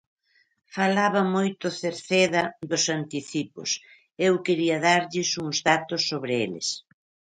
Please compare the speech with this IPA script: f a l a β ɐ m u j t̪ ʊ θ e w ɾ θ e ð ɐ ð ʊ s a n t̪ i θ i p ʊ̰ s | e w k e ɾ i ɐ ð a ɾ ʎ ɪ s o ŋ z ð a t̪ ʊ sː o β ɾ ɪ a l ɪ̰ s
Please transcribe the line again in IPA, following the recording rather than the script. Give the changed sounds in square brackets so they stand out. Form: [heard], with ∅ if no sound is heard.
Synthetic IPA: f a l a β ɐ m [o] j t̪ ʊ θ e [∅] ɾ θ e ð ɐ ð ʊ s a n t̪ i θ i p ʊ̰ s | e w k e ɾ i ɐ ð a ɾ ʎ ɪ s [u] ŋ z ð a t̪ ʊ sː o β ɾ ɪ [e] l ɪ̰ s